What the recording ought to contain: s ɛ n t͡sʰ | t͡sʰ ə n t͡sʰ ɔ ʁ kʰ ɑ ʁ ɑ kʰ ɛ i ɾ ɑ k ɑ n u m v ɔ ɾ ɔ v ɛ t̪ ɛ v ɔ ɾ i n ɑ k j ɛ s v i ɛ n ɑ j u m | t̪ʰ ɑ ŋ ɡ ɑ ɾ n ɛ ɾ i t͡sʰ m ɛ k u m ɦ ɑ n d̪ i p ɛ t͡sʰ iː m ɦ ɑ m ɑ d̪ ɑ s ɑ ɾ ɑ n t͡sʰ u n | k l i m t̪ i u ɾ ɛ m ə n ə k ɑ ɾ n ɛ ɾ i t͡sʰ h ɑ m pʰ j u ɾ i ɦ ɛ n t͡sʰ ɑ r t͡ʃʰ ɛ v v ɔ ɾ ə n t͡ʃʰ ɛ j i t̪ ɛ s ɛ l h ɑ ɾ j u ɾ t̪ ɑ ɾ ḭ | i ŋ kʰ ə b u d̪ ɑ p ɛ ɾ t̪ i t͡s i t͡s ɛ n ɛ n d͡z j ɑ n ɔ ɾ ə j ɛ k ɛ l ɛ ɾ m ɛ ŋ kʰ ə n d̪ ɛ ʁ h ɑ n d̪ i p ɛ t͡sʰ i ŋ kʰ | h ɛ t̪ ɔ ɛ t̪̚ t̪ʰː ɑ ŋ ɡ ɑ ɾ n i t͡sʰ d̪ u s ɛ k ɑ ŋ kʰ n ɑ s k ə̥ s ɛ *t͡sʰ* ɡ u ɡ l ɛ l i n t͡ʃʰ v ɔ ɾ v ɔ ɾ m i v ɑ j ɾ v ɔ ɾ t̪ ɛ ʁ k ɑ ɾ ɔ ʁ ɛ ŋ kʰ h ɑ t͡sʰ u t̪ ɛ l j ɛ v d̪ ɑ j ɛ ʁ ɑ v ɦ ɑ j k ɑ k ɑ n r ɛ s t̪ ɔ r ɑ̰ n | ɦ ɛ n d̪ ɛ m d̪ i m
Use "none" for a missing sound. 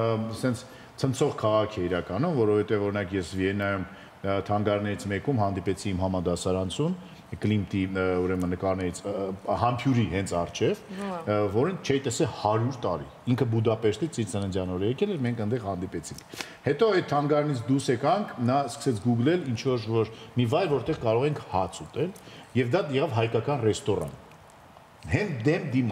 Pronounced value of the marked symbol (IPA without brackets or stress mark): t͡sʰ